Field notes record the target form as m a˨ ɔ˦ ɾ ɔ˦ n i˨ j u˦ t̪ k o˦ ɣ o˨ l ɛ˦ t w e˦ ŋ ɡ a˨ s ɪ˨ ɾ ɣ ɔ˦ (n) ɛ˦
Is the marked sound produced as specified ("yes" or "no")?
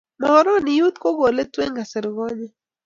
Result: no